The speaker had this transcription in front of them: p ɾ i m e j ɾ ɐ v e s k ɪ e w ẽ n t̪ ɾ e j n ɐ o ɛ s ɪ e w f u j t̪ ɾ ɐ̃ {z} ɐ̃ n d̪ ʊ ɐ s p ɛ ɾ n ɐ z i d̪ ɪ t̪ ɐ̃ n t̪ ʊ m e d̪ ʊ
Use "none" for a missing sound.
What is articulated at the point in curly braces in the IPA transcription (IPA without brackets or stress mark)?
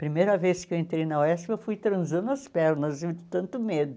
z